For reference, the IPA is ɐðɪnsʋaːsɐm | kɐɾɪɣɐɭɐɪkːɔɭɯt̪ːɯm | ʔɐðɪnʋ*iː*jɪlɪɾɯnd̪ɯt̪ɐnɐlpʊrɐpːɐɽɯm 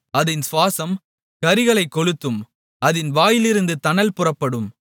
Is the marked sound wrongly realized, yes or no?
yes